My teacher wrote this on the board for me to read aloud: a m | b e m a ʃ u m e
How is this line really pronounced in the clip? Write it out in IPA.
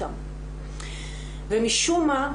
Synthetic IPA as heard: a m | v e m i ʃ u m a